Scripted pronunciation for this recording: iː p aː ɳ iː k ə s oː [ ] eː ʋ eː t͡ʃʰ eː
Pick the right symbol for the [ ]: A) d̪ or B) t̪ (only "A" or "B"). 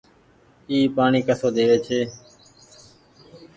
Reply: A